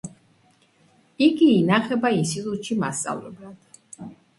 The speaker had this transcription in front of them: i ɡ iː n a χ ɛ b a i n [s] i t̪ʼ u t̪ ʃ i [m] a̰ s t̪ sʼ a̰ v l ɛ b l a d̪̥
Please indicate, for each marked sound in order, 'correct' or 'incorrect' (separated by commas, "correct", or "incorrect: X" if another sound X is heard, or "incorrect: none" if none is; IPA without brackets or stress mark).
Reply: correct, correct